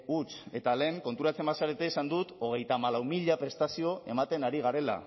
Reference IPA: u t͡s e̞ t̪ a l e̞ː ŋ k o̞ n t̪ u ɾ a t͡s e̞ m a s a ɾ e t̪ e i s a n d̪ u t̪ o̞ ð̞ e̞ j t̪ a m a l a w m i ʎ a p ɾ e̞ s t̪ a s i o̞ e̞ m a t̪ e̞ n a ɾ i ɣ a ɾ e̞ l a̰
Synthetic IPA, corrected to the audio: u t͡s e̞ t̪ a l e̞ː ŋ k o̞ n t̪ u ɾ a t͡s e̞ m a s a ɾ e t̪ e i s a n d̪ u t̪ o̞ ɣ̞ e̞ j t̪ a m a l a w m i ʎ a p ɾ e̞ s t̪ a s i o̞ e̞ m a t̪ e̞ n a ɾ i ɣ a ɾ e̞ l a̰